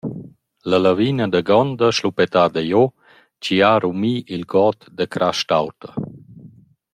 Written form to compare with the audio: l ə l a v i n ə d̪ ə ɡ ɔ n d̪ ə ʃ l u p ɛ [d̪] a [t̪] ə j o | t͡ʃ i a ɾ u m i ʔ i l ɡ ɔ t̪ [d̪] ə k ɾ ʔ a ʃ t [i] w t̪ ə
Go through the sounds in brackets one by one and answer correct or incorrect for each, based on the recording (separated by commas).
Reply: incorrect, incorrect, correct, incorrect